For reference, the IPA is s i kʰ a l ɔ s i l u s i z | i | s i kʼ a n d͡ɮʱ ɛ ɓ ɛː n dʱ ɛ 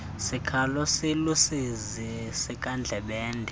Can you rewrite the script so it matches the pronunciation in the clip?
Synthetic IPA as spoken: s i kʰ a l ɔ s i l u s i z | i | s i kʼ a n d͡ɮʱ ɛ ɓ ɛː n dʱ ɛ